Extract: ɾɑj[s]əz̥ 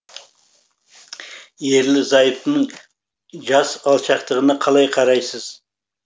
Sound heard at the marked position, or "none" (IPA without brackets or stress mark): s